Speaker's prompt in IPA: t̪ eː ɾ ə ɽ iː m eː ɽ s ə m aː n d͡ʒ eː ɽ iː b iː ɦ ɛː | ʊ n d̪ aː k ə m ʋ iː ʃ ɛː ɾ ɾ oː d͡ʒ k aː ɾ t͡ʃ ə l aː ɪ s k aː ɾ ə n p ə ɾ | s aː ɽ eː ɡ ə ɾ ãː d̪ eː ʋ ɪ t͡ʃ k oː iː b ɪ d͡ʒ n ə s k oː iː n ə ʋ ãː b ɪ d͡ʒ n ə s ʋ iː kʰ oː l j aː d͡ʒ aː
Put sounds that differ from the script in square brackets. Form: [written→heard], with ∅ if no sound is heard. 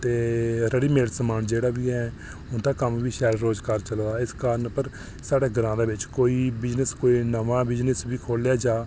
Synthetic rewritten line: t̪ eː ɾ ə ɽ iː m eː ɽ s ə m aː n d͡ʒ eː ɽ [iː→aː] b iː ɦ ɛː | ʊ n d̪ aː k ə m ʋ iː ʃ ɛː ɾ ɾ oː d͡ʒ k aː ɾ t͡ʃ ə l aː ɪ s k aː ɾ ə n p ə ɾ | s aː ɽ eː ɡ ə ɾ ãː d̪ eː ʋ ɪ t͡ʃ k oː iː b ɪ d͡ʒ n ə s k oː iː n ə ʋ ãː b ɪ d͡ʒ n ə s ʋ iː kʰ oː l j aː d͡ʒ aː